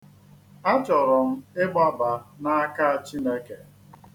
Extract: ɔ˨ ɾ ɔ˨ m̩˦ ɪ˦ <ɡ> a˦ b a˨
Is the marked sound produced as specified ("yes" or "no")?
no